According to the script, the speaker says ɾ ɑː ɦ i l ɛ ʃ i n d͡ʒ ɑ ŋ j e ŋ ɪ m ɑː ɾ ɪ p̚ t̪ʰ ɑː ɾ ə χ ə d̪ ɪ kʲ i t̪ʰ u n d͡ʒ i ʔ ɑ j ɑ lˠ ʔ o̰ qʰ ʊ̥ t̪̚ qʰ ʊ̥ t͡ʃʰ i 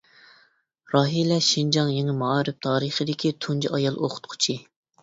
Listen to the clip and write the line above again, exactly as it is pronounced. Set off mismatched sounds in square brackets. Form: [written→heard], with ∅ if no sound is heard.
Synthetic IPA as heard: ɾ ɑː ɦ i l ɛ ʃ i n d͡ʒ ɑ ŋ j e ŋ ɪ m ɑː ɾ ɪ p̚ t̪ʰ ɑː ɾ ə χ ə d̪ ɪ kʲ i t̪ʰ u n d͡ʒ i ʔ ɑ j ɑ lˠ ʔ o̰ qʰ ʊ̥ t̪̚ qʰ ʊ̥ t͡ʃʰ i